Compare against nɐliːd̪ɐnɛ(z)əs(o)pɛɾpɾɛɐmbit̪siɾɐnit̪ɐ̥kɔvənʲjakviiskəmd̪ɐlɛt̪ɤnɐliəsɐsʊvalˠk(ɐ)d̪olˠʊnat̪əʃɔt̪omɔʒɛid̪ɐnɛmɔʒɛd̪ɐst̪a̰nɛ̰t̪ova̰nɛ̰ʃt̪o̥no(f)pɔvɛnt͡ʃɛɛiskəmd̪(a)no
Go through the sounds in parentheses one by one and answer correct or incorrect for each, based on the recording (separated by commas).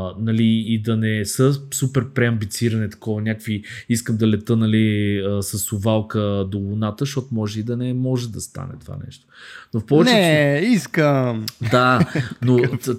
incorrect, incorrect, incorrect, correct, correct